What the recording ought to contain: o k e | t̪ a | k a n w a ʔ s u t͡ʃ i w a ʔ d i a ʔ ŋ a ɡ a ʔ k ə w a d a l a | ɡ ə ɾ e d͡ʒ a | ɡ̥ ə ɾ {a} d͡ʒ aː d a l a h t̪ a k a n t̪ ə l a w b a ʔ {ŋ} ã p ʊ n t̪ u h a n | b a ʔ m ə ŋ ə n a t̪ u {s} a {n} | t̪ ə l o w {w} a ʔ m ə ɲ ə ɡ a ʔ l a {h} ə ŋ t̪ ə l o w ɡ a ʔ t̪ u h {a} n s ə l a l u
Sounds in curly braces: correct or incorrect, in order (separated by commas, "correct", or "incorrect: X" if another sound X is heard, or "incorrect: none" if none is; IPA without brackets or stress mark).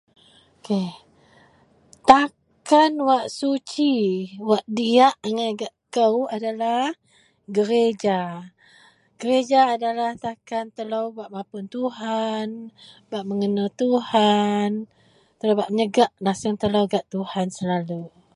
incorrect: e, incorrect: m, incorrect: h, correct, incorrect: b, incorrect: s, correct